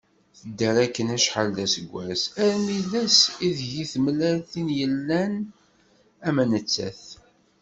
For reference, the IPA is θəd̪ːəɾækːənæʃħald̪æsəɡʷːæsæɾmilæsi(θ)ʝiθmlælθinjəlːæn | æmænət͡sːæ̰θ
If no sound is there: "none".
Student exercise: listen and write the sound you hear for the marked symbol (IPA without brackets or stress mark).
ð